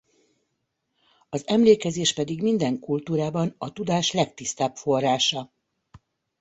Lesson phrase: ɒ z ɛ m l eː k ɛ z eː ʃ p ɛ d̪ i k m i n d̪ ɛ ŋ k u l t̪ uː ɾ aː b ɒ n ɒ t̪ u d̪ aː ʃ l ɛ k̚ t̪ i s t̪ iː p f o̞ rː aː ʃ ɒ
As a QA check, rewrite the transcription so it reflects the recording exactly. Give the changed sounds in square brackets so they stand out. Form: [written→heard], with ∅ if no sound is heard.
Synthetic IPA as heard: ɒ z ɛ m l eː k ɛ z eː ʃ p ɛ d̪ i [k→ɡ] m i n d̪ ɛ ŋ k u l t̪ uː ɾ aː b ɒ n ɒ t̪ u d̪ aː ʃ l ɛ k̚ t̪ i s t̪ [iː→aː] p f o̞ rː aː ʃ ɒ